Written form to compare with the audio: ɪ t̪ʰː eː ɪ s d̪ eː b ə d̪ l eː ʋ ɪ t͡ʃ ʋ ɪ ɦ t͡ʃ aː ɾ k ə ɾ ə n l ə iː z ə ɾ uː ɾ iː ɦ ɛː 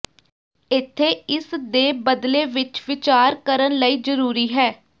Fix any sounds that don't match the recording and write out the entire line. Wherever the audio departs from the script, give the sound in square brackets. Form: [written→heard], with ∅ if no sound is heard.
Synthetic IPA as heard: ɪ t̪ʰː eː ɪ s d̪ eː b ə d̪ l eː ʋ ɪ t͡ʃ ʋ ɪ [ɦ→∅] t͡ʃ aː ɾ k ə ɾ ə n l ə iː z ə ɾ uː ɾ iː ɦ ɛː